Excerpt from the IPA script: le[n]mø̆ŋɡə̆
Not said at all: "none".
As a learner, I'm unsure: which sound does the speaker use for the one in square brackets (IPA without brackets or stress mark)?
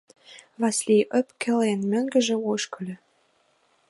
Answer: n